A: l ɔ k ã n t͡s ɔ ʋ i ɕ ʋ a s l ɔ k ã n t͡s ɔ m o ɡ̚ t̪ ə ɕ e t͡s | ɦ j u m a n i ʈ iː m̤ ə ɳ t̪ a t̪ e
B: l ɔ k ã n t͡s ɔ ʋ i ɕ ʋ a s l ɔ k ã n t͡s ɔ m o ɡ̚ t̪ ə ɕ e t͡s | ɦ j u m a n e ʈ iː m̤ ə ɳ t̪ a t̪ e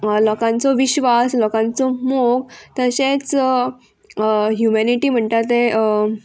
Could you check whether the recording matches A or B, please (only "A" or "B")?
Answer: A